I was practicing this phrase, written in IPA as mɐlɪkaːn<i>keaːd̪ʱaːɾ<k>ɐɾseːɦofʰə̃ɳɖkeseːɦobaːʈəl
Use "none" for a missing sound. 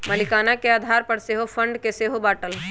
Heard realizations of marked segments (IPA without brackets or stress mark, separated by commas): a, p